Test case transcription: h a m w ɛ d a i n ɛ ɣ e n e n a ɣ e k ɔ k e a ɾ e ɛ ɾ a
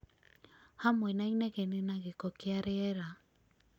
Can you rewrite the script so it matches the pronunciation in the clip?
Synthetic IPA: h a m w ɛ n a i n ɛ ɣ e n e n a ɣ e k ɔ k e a ɾ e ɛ ɾ a